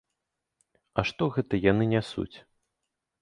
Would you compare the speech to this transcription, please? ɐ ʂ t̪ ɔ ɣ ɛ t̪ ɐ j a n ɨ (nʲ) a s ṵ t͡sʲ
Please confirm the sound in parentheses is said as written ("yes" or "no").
yes